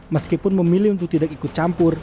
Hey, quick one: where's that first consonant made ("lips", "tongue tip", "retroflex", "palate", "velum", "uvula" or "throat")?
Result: lips